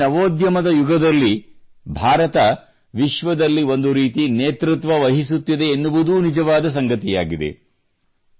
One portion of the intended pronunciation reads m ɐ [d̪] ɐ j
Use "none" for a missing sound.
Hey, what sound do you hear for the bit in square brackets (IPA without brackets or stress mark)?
d̪